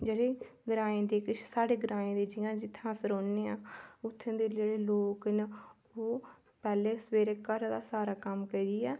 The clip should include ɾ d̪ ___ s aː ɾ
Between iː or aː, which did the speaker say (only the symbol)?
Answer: aː